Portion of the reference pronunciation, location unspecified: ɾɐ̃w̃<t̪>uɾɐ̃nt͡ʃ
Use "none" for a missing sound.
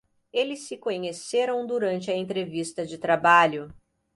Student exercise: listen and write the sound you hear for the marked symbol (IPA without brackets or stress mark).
d̪